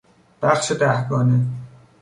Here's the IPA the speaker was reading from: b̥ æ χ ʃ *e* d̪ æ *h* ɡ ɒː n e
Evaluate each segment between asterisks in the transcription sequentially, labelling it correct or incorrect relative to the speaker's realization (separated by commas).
correct, correct